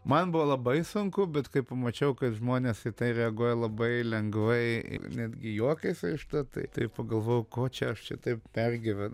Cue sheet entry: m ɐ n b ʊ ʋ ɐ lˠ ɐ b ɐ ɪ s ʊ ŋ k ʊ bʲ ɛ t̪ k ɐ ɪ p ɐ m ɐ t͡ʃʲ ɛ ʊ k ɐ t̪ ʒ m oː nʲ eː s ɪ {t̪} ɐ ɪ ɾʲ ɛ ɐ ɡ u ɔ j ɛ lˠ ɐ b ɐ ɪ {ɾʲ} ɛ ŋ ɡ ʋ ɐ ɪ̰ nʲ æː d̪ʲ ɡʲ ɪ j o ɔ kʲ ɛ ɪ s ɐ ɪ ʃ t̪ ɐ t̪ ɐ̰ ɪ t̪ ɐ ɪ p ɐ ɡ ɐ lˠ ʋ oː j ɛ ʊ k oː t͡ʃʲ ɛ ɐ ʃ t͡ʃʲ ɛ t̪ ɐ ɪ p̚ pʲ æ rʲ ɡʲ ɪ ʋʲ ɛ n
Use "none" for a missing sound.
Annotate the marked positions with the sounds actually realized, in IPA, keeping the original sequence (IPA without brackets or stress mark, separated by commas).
t̪, lʲ